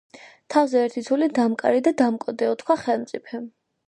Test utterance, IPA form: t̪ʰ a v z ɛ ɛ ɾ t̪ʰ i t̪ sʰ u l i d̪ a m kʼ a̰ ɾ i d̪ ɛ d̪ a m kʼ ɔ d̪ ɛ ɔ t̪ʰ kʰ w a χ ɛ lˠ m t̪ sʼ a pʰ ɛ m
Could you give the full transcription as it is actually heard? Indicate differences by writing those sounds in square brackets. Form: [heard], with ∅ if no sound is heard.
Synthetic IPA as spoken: t̪ʰ a v z ɛ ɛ ɾ t̪ʰ i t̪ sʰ u l i d̪ a m kʼ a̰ ɾ i d̪ [a] d̪ a m kʼ ɔ d̪ ɛ ɔ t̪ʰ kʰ w a χ ɛ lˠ m t̪ sʼ [i] pʰ ɛ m